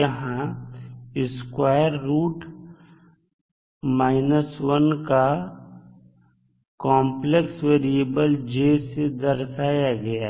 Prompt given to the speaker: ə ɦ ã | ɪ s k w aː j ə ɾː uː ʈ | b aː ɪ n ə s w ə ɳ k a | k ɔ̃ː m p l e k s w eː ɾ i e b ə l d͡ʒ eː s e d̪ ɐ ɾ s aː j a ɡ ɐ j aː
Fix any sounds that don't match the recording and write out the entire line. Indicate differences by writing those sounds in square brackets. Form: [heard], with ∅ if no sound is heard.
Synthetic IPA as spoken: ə ɦ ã | ɪ s k w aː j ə ɾː uː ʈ | [m] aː ɪ n ə s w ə [n] k a | k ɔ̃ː m p l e k s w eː ɾ i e b ə l d͡ʒ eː s e d̪ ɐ ɾ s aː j a ɡ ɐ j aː